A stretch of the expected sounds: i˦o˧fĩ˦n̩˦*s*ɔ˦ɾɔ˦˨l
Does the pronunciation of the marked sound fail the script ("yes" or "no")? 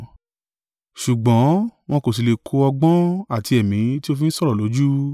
no